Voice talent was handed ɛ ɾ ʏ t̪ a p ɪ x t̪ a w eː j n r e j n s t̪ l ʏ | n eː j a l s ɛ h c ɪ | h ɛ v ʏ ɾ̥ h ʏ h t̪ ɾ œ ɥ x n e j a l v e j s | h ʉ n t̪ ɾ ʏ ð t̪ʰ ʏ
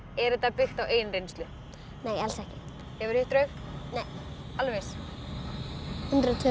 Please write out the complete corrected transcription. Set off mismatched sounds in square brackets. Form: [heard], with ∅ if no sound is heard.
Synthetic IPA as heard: ɛ ɾ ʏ t̪ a p ɪ x t̪ a w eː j n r e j n s t̪ l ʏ | n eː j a l s ɛ h c ɪ | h ɛ v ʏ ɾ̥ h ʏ h t̪ ɾ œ ɥ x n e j a l v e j s | h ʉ n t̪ ɾ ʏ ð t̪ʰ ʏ